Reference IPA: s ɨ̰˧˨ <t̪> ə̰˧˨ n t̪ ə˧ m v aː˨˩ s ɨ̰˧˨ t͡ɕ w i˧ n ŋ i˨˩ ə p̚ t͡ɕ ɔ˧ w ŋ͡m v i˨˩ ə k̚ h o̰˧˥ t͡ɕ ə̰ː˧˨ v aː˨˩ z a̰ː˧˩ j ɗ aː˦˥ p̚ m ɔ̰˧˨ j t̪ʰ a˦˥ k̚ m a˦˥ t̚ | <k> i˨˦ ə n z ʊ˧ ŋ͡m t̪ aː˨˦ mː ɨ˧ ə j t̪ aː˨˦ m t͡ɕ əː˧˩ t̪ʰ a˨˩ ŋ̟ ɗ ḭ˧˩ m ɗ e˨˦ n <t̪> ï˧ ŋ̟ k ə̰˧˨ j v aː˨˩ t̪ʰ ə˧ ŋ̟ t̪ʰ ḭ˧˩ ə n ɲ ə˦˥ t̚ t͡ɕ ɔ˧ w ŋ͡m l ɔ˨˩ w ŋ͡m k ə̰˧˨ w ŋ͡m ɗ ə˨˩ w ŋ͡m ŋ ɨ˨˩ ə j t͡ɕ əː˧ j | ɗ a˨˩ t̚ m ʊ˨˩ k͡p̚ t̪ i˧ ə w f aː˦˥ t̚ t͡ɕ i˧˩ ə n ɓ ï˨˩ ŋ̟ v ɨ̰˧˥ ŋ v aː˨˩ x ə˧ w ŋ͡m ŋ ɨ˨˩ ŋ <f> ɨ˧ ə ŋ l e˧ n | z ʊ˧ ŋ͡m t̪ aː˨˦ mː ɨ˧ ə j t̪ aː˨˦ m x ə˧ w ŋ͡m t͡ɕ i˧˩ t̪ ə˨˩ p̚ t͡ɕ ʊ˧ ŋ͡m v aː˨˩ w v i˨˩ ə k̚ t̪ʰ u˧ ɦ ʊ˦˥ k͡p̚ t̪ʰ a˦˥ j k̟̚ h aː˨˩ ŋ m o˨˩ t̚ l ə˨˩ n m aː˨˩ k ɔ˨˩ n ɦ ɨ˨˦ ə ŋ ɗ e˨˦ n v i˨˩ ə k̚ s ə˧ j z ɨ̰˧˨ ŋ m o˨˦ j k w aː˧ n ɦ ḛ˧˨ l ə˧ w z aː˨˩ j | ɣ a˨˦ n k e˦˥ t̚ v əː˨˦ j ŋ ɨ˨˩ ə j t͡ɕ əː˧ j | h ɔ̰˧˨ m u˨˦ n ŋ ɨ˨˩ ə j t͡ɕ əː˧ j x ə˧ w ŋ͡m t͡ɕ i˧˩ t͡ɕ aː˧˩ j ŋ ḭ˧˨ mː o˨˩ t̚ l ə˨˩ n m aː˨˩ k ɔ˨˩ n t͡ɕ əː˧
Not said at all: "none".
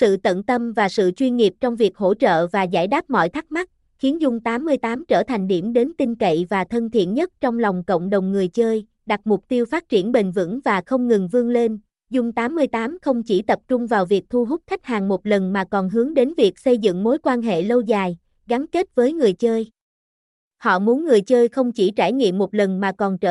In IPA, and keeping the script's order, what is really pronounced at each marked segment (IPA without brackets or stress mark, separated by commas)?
t̪, x, t̪, v